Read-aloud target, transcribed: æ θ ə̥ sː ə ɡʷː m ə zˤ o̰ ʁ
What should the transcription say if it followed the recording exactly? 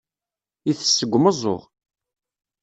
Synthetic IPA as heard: i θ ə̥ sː ə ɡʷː m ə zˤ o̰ ʁ